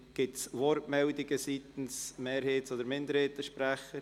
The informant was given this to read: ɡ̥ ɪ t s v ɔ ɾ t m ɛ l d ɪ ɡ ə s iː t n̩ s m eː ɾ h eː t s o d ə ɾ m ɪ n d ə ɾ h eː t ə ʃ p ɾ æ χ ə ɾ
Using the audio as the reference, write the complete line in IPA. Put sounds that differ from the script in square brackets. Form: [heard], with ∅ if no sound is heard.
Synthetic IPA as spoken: ɡ̥ ɪ t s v ɔ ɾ t m ɛ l d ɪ ɡ ə s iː t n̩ s m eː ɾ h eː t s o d ə ɾ m ɪ n d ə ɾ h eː t ə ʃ p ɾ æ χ ə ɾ